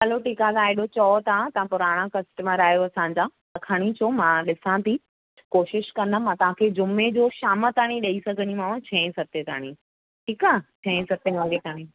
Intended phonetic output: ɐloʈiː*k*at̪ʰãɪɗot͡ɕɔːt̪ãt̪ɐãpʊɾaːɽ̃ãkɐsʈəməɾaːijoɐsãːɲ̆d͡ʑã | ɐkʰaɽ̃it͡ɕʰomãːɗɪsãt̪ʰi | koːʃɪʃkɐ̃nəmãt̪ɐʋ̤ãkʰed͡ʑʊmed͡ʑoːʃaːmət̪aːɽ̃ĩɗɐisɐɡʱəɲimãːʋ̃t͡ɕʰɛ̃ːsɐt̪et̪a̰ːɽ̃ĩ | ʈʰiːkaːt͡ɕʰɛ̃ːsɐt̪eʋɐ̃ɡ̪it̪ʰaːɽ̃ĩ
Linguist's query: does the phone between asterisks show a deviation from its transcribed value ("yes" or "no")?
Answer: no